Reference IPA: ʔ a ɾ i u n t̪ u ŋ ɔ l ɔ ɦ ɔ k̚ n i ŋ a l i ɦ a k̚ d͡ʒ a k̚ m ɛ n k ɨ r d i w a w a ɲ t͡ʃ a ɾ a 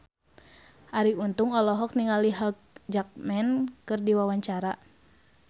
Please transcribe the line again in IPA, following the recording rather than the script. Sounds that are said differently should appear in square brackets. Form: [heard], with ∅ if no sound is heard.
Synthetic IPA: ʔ a ɾ i u n t̪ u ŋ ɔ l ɔ ɦ ɔ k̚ n i ŋ a l i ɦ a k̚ d͡ʒ a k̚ m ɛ n k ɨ r d i w a w a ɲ t͡ʃ a ɾ a